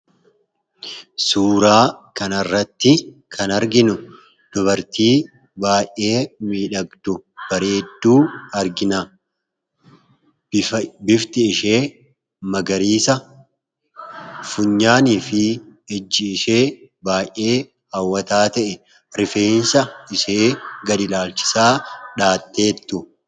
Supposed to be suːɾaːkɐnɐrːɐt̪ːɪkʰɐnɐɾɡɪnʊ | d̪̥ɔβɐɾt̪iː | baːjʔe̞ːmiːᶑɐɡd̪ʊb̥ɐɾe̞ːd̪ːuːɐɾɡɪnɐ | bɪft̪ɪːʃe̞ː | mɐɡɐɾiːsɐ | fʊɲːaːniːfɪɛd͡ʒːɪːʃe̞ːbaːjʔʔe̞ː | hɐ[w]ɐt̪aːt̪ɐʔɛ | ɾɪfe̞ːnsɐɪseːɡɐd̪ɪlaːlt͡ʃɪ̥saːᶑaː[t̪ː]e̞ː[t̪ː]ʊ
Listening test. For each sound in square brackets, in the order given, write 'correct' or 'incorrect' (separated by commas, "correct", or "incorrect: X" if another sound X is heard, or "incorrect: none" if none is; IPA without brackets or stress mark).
incorrect: wː, correct, correct